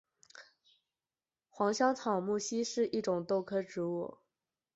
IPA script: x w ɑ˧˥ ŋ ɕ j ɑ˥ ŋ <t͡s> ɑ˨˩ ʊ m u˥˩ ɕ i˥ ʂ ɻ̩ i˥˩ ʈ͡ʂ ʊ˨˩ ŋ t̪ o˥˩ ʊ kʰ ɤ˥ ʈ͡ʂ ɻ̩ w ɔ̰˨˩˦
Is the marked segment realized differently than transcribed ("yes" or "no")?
yes